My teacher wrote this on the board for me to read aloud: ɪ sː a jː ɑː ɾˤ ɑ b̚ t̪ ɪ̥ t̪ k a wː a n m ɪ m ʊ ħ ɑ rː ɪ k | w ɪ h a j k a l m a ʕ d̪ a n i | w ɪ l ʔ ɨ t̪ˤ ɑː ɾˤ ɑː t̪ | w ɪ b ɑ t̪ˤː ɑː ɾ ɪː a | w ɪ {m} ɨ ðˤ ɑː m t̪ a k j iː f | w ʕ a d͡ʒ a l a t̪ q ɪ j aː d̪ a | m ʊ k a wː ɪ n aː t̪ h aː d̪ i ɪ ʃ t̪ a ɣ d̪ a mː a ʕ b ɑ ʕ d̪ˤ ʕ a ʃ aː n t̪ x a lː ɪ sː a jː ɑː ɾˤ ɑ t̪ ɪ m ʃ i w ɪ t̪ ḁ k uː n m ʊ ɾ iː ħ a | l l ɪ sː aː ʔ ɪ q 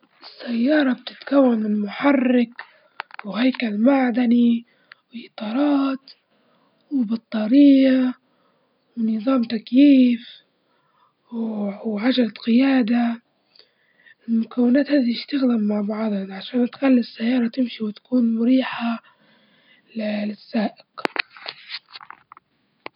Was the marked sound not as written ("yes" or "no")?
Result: yes